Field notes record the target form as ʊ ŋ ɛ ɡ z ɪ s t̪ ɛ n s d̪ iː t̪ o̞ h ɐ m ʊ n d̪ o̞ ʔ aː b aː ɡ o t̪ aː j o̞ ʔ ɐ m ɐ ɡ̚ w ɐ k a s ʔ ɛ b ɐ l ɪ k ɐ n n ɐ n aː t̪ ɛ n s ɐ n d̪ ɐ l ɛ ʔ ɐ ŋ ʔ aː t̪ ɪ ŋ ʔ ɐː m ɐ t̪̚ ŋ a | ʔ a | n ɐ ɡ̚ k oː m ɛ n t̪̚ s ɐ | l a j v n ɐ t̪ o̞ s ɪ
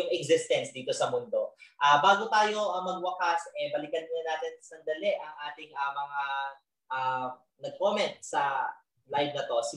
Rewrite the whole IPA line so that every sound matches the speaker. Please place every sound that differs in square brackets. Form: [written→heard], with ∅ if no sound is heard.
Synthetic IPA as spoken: ʊ ŋ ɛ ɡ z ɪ s t̪ ɛ n s d̪ iː t̪ o̞ [h→s] ɐ m ʊ n d̪ o̞ ʔ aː b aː ɡ o t̪ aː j o̞ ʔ ɐ m ɐ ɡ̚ w ɐ k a s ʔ ɛ b ɐ l ɪ k ɐ n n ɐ n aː t̪ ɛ n s ɐ n d̪ ɐ l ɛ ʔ ɐ ŋ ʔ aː t̪ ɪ ŋ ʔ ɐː m ɐ [t̪̚→∅] ŋ a | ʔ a | n ɐ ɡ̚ k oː m ɛ n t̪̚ s ɐ | l a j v n ɐ t̪ o̞ s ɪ